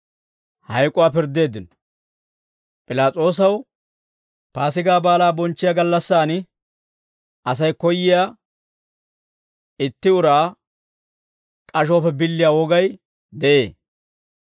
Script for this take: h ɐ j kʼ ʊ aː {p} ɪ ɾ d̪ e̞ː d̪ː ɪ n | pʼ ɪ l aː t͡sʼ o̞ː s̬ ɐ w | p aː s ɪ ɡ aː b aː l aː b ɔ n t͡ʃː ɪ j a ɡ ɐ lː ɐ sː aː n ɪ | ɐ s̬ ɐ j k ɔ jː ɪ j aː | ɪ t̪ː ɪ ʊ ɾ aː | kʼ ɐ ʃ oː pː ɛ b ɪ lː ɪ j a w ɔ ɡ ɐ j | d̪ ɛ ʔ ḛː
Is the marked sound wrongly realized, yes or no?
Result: no